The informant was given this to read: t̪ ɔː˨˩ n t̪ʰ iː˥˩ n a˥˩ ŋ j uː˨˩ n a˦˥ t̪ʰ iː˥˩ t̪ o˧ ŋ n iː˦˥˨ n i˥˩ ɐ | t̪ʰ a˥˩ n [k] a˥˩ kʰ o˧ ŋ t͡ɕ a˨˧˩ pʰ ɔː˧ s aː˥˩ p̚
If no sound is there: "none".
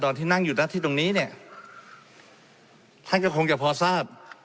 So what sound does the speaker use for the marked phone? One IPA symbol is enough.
k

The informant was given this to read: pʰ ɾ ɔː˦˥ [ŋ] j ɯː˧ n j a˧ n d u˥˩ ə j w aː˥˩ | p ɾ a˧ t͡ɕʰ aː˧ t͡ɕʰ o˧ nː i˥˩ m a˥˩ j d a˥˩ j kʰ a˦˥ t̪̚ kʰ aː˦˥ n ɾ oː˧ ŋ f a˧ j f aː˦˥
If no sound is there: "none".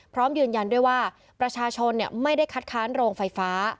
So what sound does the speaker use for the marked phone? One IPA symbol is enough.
m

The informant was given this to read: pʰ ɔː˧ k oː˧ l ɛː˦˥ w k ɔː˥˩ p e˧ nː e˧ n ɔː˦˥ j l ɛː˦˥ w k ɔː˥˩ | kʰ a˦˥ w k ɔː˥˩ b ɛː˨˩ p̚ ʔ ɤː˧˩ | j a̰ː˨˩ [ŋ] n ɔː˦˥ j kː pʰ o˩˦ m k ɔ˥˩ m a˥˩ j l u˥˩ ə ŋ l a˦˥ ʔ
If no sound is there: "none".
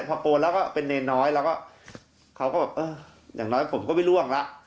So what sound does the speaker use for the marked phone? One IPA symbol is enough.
ŋ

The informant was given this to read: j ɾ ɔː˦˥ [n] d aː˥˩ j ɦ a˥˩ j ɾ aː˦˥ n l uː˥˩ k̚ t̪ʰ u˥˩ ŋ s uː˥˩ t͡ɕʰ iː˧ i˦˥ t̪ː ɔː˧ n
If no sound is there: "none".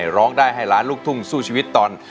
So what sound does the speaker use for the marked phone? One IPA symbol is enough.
ŋ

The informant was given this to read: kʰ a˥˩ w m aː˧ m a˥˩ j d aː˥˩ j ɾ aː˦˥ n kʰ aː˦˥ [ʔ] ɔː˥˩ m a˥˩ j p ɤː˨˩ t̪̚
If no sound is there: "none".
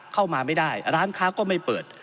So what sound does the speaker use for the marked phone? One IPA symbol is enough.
k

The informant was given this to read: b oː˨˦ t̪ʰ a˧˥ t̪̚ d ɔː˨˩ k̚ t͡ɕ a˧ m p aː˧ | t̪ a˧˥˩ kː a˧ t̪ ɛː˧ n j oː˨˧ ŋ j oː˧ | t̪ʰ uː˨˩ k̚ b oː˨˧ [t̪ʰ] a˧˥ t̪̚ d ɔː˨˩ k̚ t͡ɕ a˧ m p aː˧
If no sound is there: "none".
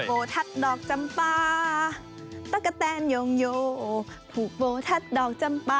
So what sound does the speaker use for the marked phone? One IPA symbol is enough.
t̪ʰ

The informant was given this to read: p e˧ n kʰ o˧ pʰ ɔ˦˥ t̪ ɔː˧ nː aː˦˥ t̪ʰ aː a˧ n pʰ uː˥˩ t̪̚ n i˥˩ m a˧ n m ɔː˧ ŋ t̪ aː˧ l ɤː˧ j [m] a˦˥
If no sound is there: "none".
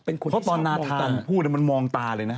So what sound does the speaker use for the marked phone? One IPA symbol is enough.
n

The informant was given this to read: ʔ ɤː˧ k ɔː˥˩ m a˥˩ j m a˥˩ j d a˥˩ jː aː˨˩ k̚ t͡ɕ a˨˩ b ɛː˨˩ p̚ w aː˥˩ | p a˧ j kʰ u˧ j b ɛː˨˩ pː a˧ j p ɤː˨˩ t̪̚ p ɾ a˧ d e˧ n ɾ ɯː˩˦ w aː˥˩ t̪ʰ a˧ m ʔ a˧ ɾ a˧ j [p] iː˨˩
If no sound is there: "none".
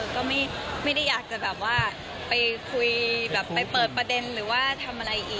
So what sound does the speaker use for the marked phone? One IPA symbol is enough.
ʔ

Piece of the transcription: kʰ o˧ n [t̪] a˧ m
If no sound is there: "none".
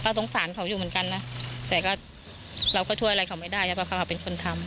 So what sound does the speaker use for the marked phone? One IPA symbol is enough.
t̪ʰ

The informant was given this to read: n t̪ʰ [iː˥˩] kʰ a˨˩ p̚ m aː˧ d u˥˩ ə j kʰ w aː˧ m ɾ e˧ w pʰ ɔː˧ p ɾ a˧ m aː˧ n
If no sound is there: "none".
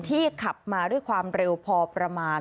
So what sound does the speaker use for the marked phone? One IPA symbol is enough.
iː˥˩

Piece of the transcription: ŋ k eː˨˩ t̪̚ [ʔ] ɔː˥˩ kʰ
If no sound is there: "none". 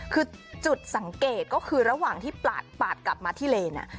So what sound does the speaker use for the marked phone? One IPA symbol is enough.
k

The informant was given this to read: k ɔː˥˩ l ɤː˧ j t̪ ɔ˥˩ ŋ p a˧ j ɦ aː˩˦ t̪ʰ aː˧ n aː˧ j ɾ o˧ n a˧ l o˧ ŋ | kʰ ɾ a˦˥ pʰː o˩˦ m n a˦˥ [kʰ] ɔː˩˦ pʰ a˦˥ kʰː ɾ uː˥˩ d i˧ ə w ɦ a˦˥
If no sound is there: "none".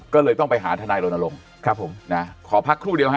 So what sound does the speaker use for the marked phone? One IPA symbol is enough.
kʰ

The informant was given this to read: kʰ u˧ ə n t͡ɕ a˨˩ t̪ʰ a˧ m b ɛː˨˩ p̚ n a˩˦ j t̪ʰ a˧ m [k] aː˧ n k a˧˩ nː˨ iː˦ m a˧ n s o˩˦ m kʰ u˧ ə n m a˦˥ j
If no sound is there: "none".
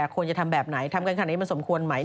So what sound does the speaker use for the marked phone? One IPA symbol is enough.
k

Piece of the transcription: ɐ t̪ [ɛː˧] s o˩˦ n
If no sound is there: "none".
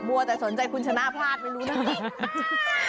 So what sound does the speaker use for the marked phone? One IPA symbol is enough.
ɛː˨˩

